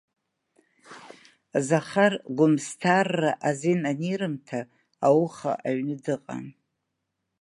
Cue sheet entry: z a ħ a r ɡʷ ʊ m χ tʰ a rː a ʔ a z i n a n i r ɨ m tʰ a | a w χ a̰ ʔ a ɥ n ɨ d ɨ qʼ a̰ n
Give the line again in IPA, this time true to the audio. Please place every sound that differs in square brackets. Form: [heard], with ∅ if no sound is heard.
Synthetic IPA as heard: z a [χ] a r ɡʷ ʊ m [s] tʰ a rː a ʔ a z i n a n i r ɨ m tʰ a | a w χ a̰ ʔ a ɥ n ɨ d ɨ qʼ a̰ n